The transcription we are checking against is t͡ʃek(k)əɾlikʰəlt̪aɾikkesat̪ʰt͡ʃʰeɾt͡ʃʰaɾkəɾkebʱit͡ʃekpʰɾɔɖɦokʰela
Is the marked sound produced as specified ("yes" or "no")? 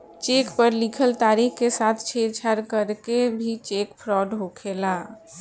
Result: no